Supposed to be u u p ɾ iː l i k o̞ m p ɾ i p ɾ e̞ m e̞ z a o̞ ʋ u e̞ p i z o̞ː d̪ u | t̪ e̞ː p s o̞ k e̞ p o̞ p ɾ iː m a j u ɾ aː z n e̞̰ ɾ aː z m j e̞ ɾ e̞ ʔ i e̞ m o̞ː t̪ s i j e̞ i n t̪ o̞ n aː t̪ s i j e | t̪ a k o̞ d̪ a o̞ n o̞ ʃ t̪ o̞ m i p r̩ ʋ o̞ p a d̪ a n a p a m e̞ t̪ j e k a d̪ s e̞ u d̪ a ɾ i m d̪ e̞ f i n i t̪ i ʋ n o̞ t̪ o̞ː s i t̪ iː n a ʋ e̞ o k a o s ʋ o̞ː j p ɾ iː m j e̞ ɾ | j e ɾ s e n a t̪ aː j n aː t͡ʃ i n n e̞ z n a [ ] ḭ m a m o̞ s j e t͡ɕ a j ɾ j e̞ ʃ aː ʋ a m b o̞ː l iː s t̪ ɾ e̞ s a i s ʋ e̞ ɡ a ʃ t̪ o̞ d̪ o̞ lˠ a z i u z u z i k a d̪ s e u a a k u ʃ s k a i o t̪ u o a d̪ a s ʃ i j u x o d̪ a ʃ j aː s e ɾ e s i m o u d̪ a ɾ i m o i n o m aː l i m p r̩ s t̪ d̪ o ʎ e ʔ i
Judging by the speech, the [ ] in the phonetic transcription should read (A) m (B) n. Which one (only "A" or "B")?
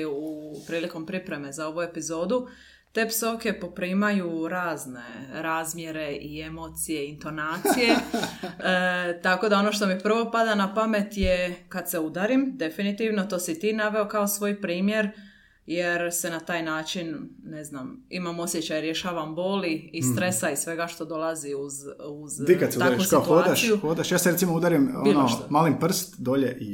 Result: A